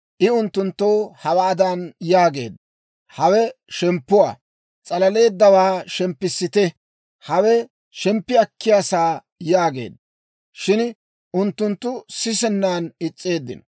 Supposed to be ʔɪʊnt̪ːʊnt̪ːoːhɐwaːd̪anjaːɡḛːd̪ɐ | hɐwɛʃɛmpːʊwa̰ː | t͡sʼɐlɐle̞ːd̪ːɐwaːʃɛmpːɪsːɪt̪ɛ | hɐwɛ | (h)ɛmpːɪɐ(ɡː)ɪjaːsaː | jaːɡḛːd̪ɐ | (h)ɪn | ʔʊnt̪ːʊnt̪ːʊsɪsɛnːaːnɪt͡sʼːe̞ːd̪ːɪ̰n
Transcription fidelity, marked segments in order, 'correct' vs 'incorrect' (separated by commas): incorrect, incorrect, incorrect